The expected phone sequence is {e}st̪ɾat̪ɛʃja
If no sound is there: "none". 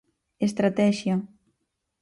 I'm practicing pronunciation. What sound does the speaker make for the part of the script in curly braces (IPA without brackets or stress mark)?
e